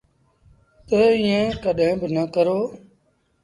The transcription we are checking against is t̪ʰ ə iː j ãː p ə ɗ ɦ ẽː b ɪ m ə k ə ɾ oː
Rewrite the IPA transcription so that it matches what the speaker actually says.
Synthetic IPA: t̪ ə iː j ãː k ə ɗ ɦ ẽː b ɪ n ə k ə ɾ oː